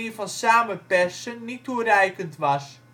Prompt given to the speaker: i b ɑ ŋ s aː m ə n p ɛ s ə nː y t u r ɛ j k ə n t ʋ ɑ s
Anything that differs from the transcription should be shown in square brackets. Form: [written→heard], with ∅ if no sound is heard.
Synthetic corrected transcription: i [b→v] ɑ [ŋ→n] s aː m ə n p ɛ s ə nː [y→i] t u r ɛ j k ə n t ʋ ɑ s